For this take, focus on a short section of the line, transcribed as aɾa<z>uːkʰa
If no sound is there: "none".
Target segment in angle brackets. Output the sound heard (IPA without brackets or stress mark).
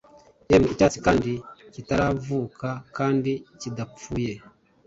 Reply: v